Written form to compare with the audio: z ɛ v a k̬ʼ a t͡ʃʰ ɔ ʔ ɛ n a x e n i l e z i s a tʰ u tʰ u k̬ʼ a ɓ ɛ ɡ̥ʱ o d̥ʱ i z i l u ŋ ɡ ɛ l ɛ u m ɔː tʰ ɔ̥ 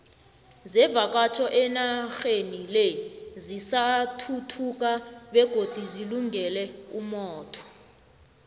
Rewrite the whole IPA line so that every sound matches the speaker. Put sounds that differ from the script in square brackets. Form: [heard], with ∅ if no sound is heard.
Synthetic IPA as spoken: z ɛ v a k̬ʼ a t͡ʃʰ ɔ ʔ ɛ n a x e n i l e z i s a tʰ u tʰ u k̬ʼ a ɓ ɛ ɡ̥ʱ o d̥ʱ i z i l u ŋ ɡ ɛ l ɛ u m ɔː tʰ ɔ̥